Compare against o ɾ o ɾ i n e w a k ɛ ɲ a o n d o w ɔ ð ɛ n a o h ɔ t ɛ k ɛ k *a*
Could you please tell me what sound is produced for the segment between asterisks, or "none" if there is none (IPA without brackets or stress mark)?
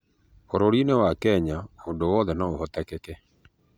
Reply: ɛ